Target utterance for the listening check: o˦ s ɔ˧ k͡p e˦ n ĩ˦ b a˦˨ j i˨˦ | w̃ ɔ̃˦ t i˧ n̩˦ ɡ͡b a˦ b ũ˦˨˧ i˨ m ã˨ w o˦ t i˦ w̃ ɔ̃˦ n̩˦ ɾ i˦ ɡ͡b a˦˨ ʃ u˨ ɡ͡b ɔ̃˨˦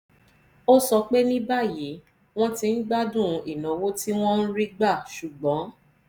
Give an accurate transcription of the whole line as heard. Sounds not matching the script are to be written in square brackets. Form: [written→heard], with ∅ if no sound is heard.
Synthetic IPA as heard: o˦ s ɔ˧ k͡p e˦ n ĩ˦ b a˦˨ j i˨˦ | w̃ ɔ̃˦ t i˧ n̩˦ ɡ͡b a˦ [b→d] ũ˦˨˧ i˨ [m→n] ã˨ w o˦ t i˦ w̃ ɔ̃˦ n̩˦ ɾ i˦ ɡ͡b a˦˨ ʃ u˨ ɡ͡b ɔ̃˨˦